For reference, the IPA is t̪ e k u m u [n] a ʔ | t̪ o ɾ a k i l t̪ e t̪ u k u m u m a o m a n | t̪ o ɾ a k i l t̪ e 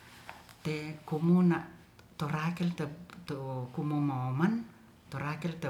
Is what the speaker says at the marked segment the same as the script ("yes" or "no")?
yes